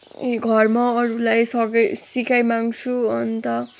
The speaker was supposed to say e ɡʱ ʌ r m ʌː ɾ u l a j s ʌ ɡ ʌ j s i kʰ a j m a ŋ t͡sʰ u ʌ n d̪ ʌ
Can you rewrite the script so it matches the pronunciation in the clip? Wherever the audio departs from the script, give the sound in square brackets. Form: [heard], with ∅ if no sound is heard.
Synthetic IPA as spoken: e ɡʱ ʌ r m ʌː ɾ u l a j s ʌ ɡ ʌ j s i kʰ a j m a ŋ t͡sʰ u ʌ n [t̪] ʌ